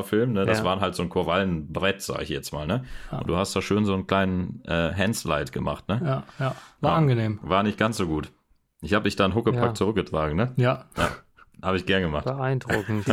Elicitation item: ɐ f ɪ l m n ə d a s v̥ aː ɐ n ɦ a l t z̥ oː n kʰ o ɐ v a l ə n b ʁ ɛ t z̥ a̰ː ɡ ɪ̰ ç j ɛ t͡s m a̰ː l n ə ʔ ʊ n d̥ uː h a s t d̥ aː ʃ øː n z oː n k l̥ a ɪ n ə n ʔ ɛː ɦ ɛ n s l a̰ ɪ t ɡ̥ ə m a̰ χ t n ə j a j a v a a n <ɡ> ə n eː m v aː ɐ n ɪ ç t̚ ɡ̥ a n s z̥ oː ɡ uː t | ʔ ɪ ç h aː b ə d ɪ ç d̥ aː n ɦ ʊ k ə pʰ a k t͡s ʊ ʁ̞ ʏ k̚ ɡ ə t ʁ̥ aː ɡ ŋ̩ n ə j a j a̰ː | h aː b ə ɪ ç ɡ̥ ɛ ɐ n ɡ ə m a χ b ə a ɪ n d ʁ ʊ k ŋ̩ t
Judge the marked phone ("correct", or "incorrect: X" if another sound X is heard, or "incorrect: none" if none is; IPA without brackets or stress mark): correct